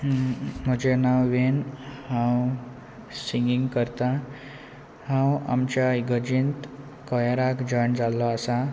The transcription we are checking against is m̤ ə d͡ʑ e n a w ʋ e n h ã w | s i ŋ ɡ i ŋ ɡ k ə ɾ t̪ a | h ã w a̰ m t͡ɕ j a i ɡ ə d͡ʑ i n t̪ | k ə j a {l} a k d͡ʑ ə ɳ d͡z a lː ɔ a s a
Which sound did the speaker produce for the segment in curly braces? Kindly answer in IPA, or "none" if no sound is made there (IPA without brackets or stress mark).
ɾ